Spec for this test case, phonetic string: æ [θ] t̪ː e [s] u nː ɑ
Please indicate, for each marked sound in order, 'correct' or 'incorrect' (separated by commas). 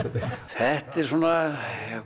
incorrect, correct